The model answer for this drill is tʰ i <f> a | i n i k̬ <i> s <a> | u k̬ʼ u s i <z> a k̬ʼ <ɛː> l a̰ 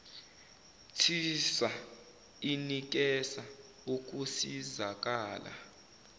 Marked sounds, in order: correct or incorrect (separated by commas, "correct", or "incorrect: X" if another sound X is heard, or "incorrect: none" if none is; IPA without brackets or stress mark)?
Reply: incorrect: s, incorrect: ɛ, correct, correct, incorrect: aː